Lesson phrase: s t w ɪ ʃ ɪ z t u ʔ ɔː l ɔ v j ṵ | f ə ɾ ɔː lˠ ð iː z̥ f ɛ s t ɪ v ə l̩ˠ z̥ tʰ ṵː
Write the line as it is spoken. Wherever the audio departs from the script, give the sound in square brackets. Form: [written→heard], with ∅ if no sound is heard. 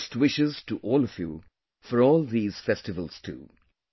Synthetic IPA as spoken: s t w ɪ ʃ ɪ z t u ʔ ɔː l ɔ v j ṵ | f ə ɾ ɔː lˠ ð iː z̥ f ɛ s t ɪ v ə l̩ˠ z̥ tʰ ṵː